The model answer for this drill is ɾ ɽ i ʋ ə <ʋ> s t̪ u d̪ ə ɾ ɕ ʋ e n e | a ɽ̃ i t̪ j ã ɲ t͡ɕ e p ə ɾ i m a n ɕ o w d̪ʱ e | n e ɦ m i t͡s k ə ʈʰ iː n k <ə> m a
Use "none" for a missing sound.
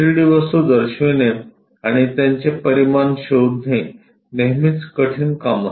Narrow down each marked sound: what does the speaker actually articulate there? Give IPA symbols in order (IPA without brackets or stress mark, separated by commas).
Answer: none, a